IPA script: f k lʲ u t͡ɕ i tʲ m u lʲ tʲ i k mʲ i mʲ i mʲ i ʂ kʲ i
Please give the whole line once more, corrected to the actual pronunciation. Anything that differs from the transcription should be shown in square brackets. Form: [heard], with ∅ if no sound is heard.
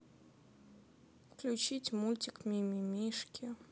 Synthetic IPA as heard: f k lʲ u t͡ɕ i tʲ m u lʲ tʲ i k mʲ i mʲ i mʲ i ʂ kʲ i